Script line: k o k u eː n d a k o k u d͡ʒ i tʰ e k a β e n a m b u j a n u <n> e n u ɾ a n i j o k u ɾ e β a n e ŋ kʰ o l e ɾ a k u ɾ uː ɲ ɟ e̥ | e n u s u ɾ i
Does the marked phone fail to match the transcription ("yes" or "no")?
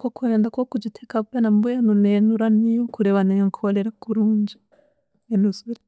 no